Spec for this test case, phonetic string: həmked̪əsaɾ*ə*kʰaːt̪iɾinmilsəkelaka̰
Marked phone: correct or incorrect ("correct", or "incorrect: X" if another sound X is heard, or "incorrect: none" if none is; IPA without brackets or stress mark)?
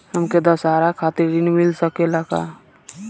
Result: incorrect: a